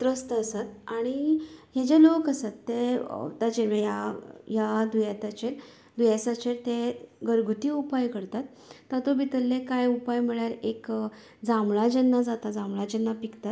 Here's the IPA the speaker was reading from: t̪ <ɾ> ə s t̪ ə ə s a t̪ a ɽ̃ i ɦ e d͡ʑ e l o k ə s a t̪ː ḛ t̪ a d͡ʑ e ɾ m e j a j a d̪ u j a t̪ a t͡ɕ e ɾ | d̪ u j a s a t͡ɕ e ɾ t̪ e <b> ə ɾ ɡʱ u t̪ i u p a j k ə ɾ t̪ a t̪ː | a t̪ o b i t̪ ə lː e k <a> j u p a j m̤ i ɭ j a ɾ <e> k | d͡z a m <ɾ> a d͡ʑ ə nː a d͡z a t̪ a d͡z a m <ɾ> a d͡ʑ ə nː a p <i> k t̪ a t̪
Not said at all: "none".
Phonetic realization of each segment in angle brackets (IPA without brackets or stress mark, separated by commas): ɾ, ɡ, a, e, ɭ, ɭ, i